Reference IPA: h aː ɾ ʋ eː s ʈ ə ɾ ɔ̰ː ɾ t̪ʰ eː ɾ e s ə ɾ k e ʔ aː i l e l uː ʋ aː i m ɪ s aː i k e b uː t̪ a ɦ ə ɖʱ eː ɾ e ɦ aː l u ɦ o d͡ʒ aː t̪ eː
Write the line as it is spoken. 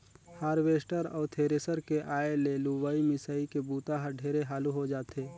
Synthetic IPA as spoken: h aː ɾ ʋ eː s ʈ ə ɾ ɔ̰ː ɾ t̪ʰ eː ɾ e s ə ɾ k e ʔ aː e l e l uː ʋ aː i m ɪ s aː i k e b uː t̪ a ɦ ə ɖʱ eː ɾ e ɦ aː l u ɦ o d͡ʒ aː t̪ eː